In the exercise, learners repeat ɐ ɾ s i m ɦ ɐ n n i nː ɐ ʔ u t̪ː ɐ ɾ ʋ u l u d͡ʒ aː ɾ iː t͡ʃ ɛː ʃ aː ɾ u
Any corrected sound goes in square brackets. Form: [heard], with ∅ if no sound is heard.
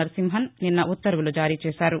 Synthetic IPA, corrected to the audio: ɐ ɾ s i m ɦ ɐ n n i nː ɐ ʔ u t̪ː ɐ ɾ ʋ u l u d͡ʒ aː ɾ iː t͡ʃ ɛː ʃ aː ɾ u